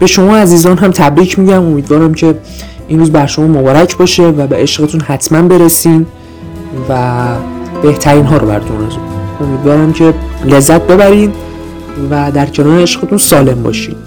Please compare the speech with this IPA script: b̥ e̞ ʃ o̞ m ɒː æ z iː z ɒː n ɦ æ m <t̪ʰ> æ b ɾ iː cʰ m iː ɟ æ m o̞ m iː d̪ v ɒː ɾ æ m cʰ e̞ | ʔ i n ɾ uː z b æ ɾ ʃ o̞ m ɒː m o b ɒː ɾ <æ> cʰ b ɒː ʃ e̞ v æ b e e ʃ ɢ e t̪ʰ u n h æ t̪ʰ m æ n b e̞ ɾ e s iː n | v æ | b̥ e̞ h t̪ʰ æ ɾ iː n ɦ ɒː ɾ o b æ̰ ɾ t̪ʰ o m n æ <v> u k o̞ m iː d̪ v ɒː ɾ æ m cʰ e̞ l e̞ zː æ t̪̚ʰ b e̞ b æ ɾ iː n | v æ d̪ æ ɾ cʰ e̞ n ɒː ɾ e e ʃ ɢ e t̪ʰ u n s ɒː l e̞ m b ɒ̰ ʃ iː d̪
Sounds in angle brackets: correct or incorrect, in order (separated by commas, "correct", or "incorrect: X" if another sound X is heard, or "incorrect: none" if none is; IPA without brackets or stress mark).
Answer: correct, correct, incorrect: z